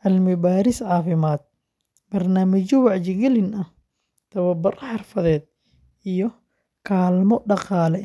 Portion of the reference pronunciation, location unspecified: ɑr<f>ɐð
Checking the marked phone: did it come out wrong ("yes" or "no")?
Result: no